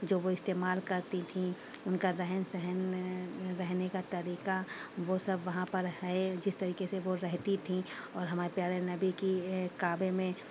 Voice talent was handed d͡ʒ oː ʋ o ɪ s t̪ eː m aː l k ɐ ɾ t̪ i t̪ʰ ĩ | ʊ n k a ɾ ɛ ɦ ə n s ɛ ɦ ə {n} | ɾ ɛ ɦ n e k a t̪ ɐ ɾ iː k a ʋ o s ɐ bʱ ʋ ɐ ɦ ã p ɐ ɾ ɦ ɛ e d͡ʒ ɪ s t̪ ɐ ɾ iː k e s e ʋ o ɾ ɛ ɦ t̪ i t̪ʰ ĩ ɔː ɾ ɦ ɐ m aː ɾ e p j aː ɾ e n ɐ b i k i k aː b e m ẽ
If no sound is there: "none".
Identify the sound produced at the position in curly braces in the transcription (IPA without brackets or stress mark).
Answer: n